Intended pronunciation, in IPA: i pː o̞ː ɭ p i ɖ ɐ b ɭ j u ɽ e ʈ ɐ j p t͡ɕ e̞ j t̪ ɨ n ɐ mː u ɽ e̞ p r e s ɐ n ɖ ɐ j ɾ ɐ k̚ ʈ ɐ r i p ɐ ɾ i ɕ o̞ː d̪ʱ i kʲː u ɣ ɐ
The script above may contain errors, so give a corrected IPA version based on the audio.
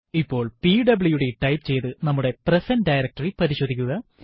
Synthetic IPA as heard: i pː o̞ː ɭ p i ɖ ɐ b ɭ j u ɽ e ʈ ɐ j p t͡ɕ e̞ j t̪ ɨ n ɐ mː u ɽ e̞ p r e s ɐ n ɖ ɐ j ɾ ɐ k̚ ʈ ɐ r i p ɐ ɾ i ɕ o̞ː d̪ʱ i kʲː u ɣ ɐ